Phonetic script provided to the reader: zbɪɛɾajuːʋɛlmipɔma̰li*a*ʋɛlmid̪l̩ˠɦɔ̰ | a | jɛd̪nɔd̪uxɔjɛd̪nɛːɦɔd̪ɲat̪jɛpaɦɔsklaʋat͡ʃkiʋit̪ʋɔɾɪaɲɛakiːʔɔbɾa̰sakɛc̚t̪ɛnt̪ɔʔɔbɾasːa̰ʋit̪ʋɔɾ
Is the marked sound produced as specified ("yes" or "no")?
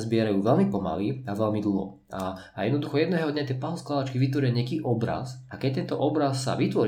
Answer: yes